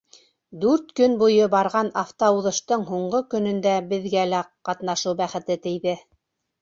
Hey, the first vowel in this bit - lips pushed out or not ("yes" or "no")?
yes